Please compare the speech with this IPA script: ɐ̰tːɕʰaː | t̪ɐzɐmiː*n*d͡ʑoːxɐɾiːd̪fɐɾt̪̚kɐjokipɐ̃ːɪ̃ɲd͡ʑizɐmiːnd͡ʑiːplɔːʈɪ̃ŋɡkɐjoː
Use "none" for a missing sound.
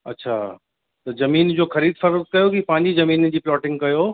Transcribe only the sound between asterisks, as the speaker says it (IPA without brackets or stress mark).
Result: n